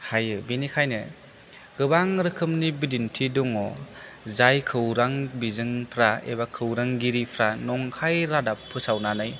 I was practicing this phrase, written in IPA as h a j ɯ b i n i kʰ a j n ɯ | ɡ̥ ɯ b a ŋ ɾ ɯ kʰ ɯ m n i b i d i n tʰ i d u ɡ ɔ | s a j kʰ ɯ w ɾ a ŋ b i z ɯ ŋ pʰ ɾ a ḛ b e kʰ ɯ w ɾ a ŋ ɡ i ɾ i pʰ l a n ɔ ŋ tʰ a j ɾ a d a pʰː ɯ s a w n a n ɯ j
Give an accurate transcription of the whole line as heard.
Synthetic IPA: h a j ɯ b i n i kʰ a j n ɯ | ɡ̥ ɯ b a ŋ ɾ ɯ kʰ ɯ m n i b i d i n tʰ i d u ŋ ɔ | z a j kʰ ɯ w ɾ a ŋ b i z ɯ ŋ pʰ ɾ a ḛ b a kʰ ɯ w ɾ a ŋ ɡ i ɾ i pʰ ɾ a n ɔ ŋ kʰ a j ɾ a d a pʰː ɯ s a w n a n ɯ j